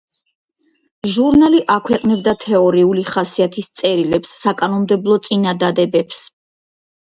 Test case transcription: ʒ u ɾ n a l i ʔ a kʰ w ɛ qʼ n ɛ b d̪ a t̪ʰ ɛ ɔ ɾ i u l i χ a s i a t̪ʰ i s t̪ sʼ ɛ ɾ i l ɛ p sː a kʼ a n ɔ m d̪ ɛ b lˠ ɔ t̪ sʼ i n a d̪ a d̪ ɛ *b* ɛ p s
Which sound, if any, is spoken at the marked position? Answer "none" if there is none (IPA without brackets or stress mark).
b